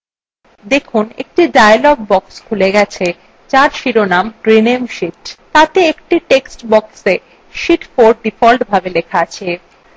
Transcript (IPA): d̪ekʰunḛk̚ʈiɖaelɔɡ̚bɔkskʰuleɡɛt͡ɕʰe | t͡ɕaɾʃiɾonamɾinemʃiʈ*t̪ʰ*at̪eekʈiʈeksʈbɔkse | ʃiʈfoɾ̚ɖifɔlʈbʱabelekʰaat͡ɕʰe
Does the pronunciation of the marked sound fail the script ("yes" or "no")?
yes